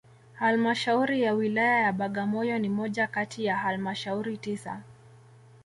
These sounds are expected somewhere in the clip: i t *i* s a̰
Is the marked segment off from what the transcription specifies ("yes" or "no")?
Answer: no